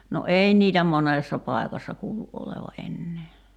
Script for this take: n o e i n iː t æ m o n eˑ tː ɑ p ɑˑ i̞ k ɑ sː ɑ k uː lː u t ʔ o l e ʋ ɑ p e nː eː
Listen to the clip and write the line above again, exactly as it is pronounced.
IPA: n o e i n iː t æ m o n eˑ sː ɑ p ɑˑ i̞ k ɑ sː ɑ k uː l u ʔ ʔ o l e ʋ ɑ ʔ e nː eː